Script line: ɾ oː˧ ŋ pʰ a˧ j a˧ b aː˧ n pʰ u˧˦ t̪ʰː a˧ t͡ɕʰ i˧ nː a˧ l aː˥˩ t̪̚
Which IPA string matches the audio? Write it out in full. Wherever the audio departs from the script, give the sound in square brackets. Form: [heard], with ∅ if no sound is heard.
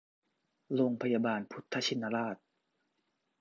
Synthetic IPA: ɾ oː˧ ŋ pʰ a˧ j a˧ b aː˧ n pʰ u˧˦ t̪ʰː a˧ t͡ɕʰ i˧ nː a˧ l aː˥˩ t̪̚